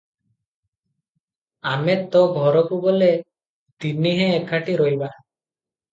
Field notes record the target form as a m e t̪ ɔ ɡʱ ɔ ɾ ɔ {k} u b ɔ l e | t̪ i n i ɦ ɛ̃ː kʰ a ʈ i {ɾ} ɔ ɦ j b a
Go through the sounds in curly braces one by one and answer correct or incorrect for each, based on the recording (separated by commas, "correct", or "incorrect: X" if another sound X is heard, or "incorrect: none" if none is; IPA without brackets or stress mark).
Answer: correct, correct